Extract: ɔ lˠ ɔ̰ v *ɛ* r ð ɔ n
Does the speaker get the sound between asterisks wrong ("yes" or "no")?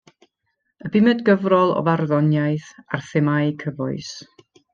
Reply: yes